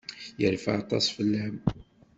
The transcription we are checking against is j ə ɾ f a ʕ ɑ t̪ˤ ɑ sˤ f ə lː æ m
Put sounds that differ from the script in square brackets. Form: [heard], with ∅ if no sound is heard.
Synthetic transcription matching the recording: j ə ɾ f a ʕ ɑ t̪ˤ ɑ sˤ f ə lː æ m